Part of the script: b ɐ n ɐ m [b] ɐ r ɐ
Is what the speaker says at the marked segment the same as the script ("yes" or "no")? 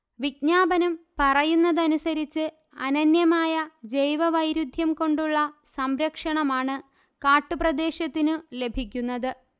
no